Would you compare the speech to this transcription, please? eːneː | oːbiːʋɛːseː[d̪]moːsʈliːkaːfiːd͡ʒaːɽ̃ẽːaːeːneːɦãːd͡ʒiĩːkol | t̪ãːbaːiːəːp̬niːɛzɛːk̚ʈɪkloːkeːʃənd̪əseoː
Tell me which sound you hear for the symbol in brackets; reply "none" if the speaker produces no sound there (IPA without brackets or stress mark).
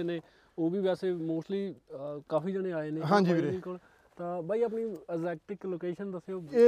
none